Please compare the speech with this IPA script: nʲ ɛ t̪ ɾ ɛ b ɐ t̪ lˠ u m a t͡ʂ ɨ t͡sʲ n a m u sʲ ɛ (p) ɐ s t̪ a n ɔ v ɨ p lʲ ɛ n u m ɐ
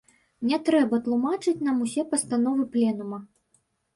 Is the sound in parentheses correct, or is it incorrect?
correct